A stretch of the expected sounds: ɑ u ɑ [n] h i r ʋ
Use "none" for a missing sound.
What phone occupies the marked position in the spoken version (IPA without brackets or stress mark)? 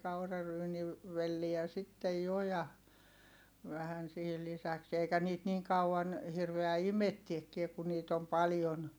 n